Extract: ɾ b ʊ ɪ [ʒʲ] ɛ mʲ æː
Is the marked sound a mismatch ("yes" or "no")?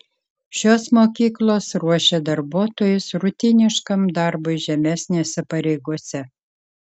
no